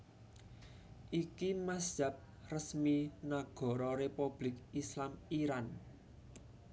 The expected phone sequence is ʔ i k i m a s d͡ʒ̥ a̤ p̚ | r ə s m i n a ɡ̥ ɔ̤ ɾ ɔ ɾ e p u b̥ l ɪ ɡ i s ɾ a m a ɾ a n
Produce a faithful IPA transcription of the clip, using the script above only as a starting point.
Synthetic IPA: ʔ i k i m a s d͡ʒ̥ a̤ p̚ | r ə s m i n a ɡ̥ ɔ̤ ɾ ɔ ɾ e p u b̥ l ɪ k i s l a m i ɾ a n